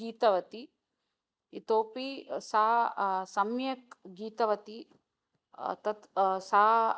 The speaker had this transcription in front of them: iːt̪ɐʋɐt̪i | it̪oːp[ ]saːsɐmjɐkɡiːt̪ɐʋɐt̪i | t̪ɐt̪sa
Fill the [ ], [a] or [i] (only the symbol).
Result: i